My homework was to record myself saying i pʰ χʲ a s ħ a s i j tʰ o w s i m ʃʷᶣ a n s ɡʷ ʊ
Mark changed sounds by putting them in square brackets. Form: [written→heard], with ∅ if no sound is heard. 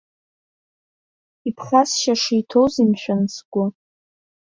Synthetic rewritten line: i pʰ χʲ a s [ħ→ʃ] a [s→ʂ] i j tʰ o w [s→z] i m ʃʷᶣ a n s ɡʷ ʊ